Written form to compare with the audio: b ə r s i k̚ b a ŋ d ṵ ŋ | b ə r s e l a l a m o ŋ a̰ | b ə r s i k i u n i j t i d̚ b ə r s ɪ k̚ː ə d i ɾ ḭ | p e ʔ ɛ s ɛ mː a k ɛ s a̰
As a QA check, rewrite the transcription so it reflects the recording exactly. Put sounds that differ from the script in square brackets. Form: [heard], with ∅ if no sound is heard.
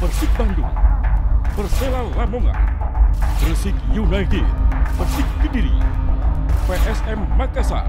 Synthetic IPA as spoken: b ə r s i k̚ b a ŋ d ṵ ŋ | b ə r s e l a l a m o ŋ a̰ | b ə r s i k [j] u n [a] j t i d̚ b ə r s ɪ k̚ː ə d i ɾ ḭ | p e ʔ ɛ s ɛ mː a k [a] s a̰